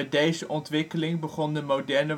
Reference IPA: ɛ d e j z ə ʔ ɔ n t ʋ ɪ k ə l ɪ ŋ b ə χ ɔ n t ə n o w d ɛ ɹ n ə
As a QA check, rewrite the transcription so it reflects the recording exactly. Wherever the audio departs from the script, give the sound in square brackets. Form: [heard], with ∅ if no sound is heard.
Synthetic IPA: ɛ d e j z ə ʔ ɔ n t ʋ ɪ k ə l ɪ ŋ b ə χ ɔ n [d] ə [m] o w d ɛ ɹ n ə